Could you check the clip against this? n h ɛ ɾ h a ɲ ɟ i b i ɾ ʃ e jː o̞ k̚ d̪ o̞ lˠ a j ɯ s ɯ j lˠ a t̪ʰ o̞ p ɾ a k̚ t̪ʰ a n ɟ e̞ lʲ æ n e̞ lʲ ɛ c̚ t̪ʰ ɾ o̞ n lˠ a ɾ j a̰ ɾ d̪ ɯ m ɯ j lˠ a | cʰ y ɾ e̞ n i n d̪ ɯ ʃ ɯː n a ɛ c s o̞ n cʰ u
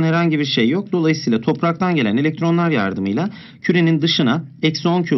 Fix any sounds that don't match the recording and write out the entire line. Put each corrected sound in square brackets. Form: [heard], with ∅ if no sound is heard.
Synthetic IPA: n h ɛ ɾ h a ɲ ɟ i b i ɾ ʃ e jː o̞ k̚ d̪ o̞ lˠ a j ɯ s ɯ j lˠ a t̪ʰ o̞ p ɾ a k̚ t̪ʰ a n ɟ e̞ lʲ æ n e̞ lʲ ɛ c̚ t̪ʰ ɾ o̞ n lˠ a ɾ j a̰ ɾ d̪ ɯ m ɯ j lˠ a | cʰ y ɾ e̞ n i n d̪ ɯ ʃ [ɯ] n a ɛ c s o̞ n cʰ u